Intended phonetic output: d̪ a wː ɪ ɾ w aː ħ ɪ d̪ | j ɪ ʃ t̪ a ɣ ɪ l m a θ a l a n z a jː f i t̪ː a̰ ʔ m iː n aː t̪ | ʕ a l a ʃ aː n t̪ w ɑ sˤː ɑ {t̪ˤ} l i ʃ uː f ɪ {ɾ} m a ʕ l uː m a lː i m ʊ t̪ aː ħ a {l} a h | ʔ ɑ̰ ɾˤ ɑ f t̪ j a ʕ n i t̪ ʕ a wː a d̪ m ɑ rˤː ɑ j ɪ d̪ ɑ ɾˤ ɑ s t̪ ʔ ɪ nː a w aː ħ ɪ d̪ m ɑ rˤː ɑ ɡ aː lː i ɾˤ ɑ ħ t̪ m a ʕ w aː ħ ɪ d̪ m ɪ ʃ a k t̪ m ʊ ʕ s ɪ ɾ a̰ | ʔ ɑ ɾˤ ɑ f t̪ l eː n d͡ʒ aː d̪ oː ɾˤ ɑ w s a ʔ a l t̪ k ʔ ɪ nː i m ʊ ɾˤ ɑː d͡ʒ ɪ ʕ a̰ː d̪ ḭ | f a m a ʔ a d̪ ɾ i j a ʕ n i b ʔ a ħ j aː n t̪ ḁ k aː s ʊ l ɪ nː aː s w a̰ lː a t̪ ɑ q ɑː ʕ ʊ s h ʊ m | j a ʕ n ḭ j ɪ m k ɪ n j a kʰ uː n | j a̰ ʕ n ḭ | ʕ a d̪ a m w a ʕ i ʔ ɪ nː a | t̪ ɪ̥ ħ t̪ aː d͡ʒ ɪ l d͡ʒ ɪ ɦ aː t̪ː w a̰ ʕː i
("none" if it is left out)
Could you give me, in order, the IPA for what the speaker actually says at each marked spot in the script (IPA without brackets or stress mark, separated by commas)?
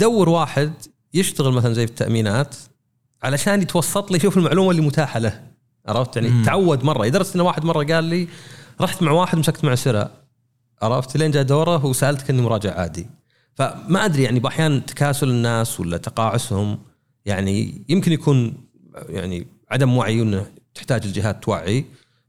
t̪ˤ, l, l